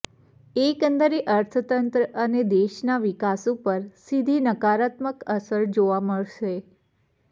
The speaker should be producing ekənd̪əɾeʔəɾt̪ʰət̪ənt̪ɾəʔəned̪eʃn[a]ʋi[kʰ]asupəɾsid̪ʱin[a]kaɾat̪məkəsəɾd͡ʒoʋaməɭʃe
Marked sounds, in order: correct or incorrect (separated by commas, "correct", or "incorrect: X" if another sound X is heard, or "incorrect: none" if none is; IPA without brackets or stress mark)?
correct, incorrect: k, incorrect: ə